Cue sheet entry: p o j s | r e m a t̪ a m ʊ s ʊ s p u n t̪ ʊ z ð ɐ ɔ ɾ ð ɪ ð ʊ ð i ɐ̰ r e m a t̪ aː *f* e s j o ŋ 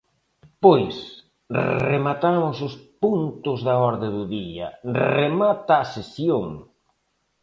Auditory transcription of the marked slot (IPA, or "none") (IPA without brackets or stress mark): s